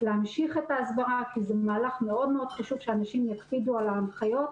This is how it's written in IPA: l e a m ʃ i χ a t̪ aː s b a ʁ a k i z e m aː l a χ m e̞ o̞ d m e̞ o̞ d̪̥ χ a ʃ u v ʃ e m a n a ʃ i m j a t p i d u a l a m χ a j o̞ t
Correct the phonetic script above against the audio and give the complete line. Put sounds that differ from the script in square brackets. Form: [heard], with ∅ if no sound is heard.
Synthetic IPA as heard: l e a m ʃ i χ [e] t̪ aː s b a ʁ a k i z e m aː l a χ m e̞ o̞ d m e̞ o̞ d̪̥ χ a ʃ u v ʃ e [∅] a n a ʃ i m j a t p i d u a l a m χ a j o̞ t